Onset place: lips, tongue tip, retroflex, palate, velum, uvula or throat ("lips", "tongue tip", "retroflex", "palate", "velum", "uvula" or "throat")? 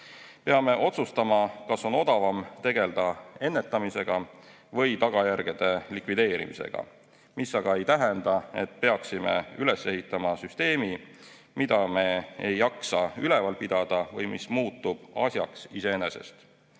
lips